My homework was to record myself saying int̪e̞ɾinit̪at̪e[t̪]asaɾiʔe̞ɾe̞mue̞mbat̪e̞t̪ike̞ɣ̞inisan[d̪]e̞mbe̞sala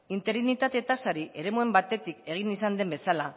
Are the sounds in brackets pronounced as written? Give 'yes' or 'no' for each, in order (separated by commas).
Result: yes, yes